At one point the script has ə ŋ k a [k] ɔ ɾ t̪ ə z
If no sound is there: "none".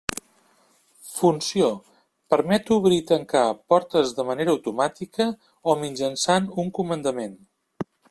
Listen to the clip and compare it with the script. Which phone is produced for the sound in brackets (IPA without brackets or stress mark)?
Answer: p